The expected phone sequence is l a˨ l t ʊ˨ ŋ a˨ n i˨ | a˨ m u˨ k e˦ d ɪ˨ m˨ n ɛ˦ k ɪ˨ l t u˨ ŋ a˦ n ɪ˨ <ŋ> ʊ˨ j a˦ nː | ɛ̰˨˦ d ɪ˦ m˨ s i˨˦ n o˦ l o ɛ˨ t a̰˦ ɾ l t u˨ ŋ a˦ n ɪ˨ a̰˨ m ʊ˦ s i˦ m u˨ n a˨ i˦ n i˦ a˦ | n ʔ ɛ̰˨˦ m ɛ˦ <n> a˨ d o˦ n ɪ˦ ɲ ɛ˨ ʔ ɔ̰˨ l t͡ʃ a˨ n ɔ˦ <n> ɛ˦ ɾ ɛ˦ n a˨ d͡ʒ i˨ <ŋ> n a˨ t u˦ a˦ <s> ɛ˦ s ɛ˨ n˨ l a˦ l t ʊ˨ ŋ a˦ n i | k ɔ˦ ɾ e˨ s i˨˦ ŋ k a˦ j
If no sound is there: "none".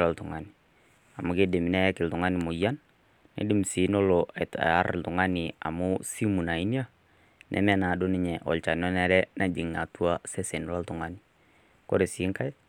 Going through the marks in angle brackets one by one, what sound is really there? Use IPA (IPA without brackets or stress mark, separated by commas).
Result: m, n, n, ŋ, s